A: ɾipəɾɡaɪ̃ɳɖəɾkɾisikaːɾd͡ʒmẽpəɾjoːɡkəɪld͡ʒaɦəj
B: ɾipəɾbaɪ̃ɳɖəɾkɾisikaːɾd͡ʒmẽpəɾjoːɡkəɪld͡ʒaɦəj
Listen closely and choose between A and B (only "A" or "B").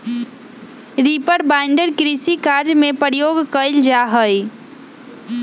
B